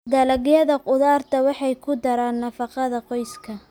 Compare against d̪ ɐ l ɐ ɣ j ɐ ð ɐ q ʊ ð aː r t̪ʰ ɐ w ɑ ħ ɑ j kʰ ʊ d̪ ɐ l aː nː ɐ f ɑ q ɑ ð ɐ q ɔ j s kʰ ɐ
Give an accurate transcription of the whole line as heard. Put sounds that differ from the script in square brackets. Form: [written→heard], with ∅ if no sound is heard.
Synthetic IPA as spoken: d̪ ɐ l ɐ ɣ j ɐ ð ɐ q ʊ ð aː r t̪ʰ ɐ w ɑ ħ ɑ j kʰ ʊ d̪ ɐ [l→ɾ] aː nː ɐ f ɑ q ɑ ð ɐ q ɔ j s kʰ ɐ